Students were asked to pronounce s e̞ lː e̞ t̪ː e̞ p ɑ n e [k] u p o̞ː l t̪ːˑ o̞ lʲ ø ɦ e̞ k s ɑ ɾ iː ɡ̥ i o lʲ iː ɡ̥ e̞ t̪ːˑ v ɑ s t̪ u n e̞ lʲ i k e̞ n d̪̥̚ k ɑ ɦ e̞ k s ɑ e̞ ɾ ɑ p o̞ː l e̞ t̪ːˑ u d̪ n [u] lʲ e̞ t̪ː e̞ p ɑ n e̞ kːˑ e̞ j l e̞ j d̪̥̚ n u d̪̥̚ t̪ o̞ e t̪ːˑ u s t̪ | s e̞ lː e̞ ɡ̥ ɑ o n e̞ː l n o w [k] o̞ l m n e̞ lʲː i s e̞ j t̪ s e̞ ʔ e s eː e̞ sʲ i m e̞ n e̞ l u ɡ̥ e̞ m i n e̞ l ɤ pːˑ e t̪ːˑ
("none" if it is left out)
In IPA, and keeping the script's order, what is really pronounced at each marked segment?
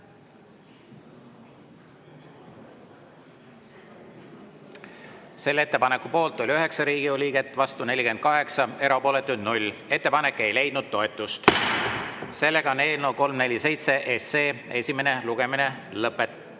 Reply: k, u, k

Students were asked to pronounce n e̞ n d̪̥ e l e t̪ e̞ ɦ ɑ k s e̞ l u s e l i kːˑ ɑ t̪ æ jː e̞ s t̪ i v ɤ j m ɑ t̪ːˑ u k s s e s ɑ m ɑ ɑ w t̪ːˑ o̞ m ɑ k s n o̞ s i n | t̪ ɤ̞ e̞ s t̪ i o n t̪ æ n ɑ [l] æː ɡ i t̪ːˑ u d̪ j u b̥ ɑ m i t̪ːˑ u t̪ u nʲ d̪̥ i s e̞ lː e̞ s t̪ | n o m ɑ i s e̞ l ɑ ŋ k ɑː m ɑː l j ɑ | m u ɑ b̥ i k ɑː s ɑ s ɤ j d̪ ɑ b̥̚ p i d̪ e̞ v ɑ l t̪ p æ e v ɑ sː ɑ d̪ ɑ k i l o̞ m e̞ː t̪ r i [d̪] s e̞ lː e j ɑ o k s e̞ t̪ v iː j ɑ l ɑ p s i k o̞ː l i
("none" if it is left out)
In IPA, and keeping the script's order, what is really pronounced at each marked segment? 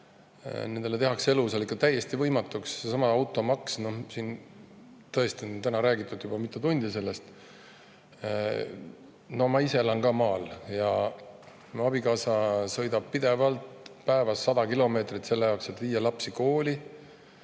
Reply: ɾ, t̪

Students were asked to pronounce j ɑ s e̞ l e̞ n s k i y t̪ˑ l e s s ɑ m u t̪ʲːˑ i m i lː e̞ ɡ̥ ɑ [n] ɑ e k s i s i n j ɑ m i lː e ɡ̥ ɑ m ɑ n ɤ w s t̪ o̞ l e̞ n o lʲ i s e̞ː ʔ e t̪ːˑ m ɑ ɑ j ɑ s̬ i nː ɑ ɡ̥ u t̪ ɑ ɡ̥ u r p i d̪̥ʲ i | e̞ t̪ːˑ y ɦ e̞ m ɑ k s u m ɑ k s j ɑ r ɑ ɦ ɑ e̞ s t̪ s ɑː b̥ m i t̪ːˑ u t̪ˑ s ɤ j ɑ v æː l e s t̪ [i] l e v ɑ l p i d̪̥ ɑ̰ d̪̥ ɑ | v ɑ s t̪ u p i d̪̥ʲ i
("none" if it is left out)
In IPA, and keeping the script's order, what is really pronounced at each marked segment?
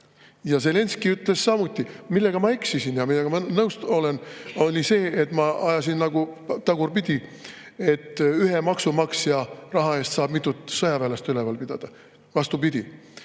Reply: m, y

